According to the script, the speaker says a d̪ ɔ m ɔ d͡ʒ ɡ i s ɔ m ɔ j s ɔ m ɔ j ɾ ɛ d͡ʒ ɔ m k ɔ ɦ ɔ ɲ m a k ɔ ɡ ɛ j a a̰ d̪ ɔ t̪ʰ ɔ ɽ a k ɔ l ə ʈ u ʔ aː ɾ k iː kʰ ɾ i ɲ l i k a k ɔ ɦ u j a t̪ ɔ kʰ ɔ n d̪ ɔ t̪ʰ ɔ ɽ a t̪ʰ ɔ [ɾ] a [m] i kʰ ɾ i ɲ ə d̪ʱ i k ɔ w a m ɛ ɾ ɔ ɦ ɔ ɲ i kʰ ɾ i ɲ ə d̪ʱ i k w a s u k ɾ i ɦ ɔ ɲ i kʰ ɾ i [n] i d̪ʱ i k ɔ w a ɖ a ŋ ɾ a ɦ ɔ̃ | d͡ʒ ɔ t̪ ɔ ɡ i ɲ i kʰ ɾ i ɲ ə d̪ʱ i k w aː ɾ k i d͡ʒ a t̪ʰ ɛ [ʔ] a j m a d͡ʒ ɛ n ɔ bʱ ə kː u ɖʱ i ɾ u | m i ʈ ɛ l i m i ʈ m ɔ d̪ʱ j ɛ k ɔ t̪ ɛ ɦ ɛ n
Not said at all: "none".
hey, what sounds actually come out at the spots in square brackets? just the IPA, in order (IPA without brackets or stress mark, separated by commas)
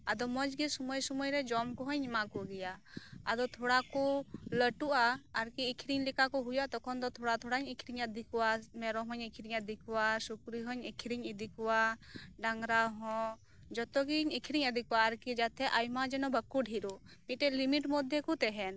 ɽ, ɲ, ɲ, ʔ